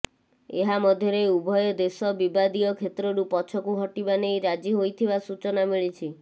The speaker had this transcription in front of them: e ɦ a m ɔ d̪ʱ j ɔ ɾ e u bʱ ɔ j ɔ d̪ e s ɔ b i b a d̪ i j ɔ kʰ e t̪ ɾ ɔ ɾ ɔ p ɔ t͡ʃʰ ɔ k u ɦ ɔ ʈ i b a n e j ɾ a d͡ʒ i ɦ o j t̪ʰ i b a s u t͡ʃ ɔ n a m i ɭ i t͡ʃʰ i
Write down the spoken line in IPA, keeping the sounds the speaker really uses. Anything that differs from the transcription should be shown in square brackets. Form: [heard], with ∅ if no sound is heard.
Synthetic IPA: e ɦ a m ɔ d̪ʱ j ɔ ɾ e u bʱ ɔ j ɔ d̪ e s ɔ b i b a d̪ i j ɔ kʰ e t̪ ɾ ɔ ɾ [u] p ɔ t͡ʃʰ ɔ k u ɦ ɔ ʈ i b a n e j ɾ a d͡ʒ i ɦ o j t̪ʰ i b a s u t͡ʃ ɔ n a m i ɭ i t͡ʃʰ i